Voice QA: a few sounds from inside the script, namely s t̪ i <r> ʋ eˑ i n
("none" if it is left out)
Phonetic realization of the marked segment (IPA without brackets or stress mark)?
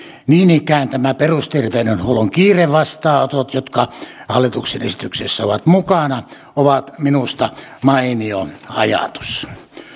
r